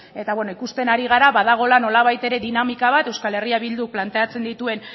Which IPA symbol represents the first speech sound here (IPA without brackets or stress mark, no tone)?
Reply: e̞